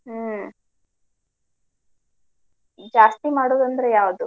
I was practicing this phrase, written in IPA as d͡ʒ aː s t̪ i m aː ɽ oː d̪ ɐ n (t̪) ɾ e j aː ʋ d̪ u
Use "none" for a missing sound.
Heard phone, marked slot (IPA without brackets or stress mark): d̪